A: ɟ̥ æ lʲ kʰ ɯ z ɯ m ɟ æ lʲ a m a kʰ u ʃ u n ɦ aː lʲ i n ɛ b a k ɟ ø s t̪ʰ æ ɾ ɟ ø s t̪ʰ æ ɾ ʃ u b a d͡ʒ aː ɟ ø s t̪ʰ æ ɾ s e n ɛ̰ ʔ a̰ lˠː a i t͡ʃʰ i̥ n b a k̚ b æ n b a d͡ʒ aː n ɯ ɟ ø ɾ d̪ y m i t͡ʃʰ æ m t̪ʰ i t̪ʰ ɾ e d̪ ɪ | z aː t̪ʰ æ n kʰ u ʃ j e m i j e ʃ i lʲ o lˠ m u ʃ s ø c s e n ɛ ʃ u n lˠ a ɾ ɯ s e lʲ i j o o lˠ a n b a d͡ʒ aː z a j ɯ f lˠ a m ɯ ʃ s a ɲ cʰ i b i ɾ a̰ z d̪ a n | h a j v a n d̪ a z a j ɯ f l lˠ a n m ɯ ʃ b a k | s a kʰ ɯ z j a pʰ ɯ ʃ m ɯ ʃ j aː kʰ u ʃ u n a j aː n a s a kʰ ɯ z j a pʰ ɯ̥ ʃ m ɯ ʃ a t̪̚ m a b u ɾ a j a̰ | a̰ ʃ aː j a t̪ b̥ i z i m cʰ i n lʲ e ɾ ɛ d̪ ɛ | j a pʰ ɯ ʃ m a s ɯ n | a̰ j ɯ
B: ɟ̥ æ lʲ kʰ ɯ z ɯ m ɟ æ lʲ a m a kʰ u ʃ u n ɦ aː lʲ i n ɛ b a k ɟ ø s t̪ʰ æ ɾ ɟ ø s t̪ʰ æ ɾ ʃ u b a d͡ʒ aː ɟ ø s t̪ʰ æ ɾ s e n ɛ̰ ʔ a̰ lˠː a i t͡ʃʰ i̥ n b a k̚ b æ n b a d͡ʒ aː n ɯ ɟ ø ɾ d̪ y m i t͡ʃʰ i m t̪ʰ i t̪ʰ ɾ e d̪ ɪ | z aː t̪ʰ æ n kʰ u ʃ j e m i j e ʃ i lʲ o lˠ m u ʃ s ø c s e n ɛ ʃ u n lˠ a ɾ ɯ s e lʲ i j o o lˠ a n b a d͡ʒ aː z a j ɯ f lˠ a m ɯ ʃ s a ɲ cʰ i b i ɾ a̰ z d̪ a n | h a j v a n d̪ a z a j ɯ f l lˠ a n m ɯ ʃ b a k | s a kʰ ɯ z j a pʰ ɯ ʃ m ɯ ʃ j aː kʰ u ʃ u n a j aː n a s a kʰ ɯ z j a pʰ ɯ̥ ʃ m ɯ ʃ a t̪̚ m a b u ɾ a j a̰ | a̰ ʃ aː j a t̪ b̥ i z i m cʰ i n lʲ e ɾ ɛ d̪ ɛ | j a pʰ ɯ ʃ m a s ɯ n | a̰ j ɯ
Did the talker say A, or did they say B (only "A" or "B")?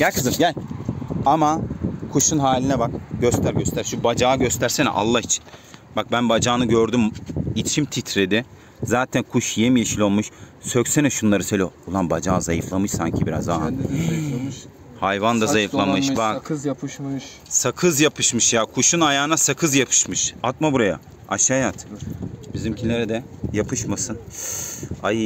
B